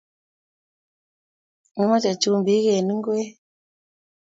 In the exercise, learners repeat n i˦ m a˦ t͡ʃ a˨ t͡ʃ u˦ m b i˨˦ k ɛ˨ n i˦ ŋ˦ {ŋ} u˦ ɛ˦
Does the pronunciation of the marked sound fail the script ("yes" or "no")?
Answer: yes